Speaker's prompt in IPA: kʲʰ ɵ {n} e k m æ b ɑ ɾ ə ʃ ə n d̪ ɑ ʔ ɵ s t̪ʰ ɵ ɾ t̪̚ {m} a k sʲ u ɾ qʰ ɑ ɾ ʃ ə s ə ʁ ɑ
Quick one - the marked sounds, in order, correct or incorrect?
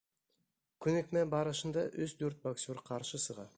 correct, incorrect

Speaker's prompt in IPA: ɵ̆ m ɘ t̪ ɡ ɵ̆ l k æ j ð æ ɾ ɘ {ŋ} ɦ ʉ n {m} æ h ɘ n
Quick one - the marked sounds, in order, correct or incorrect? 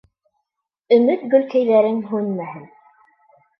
correct, correct

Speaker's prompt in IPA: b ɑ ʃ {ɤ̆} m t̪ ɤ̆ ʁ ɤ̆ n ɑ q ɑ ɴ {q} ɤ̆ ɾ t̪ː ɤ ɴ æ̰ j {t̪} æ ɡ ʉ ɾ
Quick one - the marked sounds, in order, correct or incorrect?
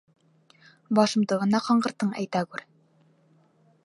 correct, incorrect, correct

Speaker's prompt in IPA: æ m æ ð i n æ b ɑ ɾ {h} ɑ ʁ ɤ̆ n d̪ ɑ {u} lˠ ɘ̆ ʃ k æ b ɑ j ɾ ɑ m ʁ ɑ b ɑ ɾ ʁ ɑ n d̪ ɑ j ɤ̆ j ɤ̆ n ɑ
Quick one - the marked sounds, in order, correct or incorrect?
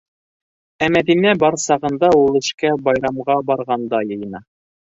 incorrect, correct

